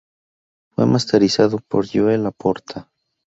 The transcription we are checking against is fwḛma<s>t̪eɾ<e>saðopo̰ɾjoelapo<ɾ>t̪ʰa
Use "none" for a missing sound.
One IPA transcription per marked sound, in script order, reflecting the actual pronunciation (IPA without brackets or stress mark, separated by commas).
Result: s, i, ɾ